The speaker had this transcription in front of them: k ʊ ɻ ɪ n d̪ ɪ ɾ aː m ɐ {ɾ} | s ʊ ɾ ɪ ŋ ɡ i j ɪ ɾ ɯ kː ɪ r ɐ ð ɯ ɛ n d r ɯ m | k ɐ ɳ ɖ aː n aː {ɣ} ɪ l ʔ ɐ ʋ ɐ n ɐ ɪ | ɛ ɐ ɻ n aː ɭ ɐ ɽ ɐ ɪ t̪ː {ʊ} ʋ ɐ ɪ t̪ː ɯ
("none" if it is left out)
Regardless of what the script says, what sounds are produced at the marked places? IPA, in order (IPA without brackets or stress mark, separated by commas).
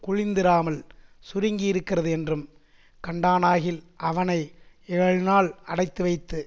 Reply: l, ɣ, ɯ